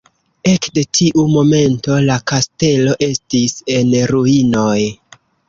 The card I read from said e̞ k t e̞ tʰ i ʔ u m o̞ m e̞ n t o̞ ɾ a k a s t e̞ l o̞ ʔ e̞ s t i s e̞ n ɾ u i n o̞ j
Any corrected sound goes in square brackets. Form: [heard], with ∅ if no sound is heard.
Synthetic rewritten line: e̞ k [d] e̞ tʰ i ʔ u m o̞ m e̞ n t o̞ [l] a k a s t e̞ l o̞ ʔ e̞ s t i s e̞ n ɾ u i n o̞ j